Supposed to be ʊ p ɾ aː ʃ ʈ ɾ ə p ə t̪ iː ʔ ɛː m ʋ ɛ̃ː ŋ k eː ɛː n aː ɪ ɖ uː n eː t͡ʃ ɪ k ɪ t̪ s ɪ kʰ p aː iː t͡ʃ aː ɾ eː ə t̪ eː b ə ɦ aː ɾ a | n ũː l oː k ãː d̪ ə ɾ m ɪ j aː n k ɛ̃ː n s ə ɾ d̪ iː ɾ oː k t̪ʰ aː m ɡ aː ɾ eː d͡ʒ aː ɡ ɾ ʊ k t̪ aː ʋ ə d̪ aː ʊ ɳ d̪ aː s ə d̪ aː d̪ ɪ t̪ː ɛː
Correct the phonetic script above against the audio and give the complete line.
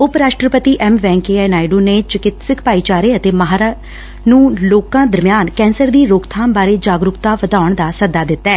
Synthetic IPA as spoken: ʊ p ɾ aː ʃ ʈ ɾ ə p ə t̪ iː ʔ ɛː m ʋ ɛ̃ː ŋ k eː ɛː n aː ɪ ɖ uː n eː t͡ʃ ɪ k ɪ t̪ s ɪ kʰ p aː iː t͡ʃ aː ɾ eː ə t̪ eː m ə ɦ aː ɾ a | n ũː l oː k ãː d̪ ə ɾ m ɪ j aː n k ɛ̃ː n s ə ɾ d̪ iː ɾ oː k t̪ʰ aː m b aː ɾ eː d͡ʒ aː ɡ ɾ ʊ k t̪ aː ʋ ə d̪ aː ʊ ɳ d̪ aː s ə d̪ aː d̪ ɪ t̪ː ɛː